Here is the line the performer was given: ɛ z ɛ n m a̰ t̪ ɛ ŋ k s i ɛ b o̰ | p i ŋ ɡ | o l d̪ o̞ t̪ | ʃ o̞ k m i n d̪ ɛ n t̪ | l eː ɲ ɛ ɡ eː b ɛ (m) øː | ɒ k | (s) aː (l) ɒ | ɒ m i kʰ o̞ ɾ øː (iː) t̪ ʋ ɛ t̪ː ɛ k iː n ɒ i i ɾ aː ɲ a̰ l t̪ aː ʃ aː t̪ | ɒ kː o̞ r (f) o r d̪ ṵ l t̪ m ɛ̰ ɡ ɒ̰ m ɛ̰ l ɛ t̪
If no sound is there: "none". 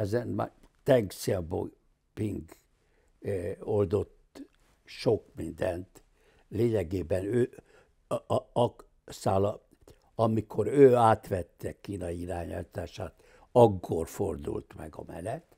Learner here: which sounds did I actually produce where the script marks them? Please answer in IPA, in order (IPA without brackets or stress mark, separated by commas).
n, s, l, aː, f